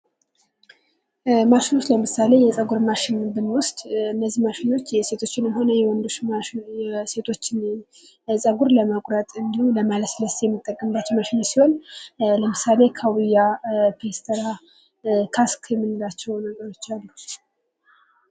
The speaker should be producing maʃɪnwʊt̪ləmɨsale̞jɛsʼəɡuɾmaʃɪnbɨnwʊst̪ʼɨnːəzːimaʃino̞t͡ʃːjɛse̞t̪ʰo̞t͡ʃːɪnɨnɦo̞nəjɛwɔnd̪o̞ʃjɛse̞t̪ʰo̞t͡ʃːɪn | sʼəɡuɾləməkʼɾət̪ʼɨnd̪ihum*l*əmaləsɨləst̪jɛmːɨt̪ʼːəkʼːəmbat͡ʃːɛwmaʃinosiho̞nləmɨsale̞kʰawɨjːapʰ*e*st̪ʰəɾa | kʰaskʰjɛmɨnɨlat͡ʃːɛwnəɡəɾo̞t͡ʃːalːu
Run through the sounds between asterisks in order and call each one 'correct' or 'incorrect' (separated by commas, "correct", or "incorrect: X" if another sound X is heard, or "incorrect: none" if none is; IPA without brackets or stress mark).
correct, correct